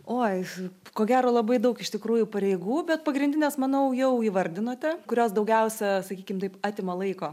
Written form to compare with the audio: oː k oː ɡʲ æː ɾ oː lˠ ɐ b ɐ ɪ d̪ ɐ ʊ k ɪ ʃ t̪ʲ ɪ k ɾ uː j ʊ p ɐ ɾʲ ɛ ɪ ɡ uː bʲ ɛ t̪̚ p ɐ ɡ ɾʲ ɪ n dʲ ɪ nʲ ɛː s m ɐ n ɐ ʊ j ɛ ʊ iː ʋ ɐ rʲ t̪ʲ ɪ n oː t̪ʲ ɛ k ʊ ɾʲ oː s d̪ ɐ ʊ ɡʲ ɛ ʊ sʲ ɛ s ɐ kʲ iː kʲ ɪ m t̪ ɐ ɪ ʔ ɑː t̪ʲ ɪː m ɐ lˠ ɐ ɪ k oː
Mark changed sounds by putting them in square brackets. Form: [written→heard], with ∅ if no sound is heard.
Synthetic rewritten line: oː k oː ɡʲ æː ɾ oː lˠ ɐ b ɐ ɪ d̪ ɐ ʊ k ɪ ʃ t̪ʲ ɪ k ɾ uː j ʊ p ɐ ɾʲ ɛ ɪ ɡ uː bʲ ɛ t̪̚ p ɐ ɡ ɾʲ ɪ n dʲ ɪ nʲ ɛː s m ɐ n ɐ ʊ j ɛ ʊ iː ʋ ɐ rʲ [t̪ʲ→d̪ʲ] ɪ n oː t̪ʲ ɛ k ʊ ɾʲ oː s d̪ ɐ ʊ ɡʲ ɛ ʊ sʲ ɛ s ɐ kʲ iː kʲ ɪ m t̪ ɐ ɪ [ʔ→p] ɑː t̪ʲ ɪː m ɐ lˠ ɐ ɪ k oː